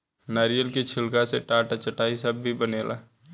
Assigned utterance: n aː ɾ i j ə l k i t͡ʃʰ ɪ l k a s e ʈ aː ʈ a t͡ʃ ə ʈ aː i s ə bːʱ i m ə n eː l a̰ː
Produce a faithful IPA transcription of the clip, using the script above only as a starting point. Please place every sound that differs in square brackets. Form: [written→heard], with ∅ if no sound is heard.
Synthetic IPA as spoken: n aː ɾ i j ə l k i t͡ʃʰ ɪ l k a s e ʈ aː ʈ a t͡ʃ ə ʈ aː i s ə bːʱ i [m→b] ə n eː l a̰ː